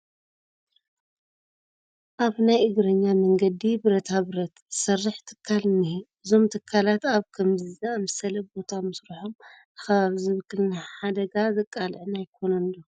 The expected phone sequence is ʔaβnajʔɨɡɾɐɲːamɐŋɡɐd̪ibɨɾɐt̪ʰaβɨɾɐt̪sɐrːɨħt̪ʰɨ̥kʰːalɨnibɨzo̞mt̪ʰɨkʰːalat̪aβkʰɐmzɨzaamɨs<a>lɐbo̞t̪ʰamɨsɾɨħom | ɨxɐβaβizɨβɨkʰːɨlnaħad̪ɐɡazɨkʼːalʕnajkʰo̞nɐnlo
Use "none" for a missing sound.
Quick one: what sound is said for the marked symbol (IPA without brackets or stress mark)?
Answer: ɐ